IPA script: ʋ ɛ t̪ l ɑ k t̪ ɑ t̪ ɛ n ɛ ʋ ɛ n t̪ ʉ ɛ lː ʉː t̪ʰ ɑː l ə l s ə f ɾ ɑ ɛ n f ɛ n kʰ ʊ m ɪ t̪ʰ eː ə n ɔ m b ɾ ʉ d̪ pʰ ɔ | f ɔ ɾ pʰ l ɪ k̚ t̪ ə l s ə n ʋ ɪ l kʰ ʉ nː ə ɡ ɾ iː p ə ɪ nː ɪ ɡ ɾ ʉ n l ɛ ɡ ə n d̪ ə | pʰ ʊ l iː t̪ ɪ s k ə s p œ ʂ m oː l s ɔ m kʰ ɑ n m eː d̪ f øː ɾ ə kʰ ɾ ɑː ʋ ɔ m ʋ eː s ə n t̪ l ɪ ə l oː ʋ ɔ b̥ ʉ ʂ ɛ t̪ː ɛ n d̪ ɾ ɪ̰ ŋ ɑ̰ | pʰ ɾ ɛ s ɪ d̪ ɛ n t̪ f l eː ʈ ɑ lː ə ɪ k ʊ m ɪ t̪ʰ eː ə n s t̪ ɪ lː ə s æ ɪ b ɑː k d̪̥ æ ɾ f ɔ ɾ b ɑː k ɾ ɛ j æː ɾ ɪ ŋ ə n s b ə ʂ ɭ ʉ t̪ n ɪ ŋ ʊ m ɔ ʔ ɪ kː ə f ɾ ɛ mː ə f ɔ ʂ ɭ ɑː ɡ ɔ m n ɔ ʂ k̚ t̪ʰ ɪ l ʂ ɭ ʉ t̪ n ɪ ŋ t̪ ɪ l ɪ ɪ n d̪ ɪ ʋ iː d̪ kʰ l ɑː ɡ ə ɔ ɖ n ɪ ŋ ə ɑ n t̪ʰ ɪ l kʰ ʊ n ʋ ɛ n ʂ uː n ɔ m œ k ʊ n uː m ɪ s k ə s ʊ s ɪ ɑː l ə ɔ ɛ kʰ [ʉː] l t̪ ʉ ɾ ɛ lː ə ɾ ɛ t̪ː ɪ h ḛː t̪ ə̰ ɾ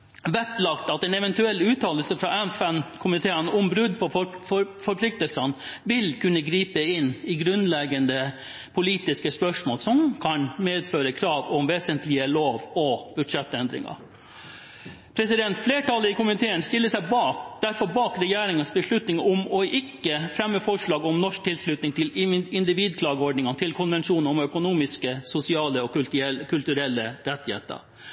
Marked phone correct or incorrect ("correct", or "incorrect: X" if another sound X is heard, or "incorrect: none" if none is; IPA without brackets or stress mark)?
incorrect: ʉ